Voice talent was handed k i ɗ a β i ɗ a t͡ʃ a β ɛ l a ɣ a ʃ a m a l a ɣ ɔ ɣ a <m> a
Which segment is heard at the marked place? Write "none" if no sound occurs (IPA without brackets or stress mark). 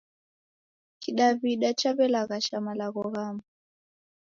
m